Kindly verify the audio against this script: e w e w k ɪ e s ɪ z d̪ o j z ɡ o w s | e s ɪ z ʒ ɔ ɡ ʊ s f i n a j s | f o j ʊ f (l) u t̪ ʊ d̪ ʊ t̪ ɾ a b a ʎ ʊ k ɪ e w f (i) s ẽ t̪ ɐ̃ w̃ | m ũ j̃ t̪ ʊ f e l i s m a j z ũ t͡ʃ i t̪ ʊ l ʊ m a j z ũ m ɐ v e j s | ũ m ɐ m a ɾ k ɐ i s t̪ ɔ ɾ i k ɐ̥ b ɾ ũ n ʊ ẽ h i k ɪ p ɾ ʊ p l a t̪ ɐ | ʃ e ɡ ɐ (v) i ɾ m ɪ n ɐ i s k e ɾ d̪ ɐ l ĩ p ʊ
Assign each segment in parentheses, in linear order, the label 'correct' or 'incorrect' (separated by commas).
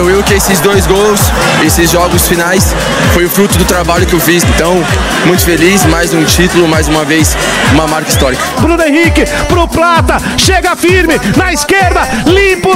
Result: incorrect, correct, incorrect